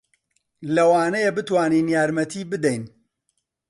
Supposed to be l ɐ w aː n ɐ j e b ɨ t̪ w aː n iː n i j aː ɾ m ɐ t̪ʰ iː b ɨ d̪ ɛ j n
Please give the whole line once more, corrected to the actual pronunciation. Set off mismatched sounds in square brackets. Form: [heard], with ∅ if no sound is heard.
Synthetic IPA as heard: l ɐ w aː n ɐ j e b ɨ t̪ w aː n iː n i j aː ɾ m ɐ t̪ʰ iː b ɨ d̪ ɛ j n